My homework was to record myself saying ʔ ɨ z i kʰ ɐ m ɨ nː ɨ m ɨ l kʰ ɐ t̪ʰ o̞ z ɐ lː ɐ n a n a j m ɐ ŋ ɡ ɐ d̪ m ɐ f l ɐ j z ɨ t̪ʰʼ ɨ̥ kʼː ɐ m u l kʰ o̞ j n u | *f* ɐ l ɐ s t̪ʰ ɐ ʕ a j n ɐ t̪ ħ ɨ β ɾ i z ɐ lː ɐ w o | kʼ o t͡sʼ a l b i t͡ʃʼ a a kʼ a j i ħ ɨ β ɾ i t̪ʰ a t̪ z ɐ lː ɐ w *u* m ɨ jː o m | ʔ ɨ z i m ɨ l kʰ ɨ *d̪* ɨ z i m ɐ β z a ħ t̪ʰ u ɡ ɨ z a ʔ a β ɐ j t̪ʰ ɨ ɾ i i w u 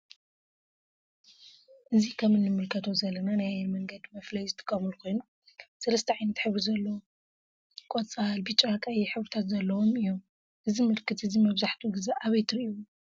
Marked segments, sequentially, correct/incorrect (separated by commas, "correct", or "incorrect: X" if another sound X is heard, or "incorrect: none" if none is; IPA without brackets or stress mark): incorrect: s, incorrect: o, incorrect: t̪